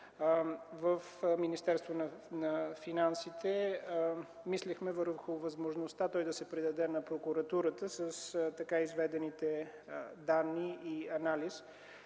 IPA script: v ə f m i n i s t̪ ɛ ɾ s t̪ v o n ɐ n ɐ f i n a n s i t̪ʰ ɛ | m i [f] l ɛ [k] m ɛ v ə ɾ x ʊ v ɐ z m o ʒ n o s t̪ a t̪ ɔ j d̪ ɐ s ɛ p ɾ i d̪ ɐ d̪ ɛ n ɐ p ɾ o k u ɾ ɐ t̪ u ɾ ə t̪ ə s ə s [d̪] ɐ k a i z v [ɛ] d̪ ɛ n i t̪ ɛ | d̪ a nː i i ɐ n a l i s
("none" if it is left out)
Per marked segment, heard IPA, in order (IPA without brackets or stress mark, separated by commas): s, x, t̪, ɛ